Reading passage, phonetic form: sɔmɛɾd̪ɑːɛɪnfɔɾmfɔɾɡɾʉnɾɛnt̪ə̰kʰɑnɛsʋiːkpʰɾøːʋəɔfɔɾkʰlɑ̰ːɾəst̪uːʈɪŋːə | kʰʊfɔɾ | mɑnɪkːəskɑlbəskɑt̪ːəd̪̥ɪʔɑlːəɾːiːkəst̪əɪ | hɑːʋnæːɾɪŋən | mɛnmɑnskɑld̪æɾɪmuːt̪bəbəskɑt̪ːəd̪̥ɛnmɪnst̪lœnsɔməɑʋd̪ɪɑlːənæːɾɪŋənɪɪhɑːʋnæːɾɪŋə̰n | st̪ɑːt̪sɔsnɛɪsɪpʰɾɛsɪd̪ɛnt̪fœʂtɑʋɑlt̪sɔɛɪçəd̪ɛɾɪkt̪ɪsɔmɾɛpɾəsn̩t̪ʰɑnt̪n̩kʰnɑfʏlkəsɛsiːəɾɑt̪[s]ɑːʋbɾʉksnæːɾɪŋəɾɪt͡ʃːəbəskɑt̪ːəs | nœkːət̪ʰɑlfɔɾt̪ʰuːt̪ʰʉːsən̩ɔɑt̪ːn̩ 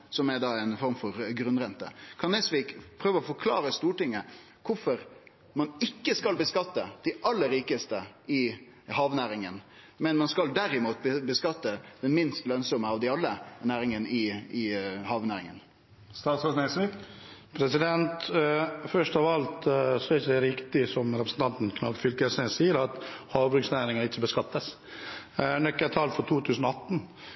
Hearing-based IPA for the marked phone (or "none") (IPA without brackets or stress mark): h